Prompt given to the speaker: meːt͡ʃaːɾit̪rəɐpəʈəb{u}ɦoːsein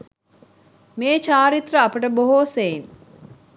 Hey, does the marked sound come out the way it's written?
no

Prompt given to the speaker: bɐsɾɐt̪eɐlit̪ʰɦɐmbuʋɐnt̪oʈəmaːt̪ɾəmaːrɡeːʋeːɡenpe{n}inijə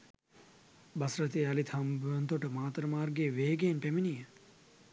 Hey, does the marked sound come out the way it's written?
no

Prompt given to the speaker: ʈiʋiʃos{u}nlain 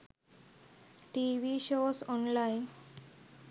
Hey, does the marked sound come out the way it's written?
no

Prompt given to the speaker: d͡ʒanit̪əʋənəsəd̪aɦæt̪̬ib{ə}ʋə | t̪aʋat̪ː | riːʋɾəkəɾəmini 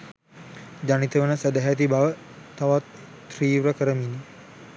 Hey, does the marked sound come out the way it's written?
no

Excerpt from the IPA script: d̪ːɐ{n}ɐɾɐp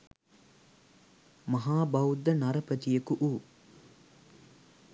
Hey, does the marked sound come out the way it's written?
yes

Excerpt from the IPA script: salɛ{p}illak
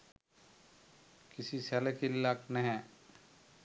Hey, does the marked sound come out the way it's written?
no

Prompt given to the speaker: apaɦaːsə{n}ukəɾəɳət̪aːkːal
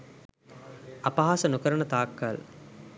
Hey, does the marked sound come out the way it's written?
yes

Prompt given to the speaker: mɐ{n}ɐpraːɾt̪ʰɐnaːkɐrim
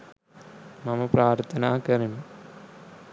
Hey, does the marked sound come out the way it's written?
no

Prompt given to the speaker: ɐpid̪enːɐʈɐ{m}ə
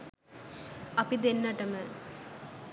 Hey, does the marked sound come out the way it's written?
yes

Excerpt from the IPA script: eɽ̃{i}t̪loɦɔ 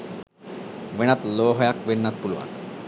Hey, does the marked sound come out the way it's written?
no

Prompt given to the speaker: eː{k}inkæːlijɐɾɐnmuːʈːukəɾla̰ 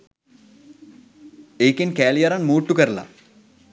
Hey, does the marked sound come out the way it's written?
yes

